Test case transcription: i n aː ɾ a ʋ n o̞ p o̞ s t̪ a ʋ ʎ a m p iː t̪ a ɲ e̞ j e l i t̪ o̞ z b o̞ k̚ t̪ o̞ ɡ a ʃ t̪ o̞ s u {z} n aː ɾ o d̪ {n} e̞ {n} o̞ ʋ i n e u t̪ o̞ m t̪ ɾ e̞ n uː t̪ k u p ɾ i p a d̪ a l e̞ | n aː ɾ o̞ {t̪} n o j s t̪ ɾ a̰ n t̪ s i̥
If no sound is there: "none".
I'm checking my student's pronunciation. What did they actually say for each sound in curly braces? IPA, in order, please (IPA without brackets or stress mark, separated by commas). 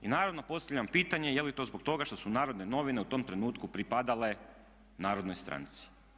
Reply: none, n, n, d̪